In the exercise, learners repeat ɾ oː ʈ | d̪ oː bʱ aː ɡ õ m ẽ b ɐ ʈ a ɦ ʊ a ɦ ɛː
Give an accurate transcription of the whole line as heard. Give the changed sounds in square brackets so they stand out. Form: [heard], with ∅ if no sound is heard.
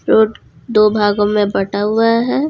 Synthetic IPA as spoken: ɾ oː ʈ | d̪ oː bʱ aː ɡ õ m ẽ b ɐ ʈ a ɦ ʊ a ɦ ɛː